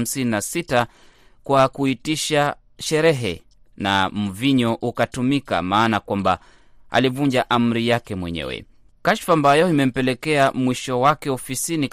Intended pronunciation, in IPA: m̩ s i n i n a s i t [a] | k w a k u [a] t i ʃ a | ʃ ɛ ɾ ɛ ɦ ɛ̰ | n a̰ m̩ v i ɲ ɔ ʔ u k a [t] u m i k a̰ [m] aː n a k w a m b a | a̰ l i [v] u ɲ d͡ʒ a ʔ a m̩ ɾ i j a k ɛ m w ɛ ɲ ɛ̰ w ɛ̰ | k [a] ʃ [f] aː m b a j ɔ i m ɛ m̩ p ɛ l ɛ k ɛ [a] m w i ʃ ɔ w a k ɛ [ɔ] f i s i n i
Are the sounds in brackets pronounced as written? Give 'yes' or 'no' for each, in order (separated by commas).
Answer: yes, no, yes, yes, yes, yes, yes, yes, yes